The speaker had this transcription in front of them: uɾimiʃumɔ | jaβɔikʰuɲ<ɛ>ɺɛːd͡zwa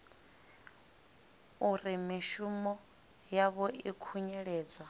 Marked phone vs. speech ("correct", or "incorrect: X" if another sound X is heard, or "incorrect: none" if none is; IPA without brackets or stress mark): correct